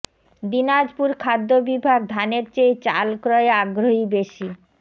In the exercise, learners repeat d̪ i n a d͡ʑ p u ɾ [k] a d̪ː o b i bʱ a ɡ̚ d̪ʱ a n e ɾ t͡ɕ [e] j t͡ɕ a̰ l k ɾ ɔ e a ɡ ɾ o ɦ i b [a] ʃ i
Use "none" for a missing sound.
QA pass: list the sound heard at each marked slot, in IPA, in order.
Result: kʰ, e, e

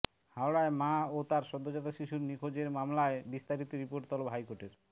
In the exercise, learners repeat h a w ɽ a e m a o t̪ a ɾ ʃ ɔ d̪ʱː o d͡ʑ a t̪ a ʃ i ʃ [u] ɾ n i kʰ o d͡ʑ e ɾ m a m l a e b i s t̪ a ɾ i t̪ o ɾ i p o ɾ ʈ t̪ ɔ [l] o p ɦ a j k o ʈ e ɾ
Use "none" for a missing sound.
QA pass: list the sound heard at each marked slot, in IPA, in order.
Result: u, l

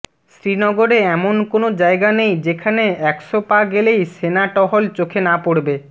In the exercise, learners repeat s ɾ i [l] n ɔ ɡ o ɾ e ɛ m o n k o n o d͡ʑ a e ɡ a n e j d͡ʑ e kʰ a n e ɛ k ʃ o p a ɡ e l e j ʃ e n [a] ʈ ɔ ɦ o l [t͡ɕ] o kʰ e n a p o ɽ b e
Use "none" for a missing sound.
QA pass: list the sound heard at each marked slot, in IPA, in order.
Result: none, a, t͡ɕ

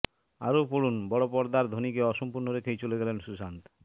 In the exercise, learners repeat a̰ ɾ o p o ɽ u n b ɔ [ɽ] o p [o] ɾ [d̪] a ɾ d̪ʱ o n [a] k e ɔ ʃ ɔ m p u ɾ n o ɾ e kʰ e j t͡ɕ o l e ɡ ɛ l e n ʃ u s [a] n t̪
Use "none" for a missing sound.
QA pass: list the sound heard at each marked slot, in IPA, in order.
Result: ɽ, ɔ, d̪, i, a

